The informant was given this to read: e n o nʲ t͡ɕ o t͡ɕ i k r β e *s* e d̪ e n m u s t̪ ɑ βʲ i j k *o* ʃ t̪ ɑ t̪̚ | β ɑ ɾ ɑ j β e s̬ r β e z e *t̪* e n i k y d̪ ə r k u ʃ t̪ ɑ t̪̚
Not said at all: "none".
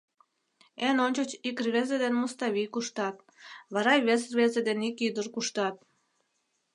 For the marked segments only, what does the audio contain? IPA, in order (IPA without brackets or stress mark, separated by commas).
z, u, d̪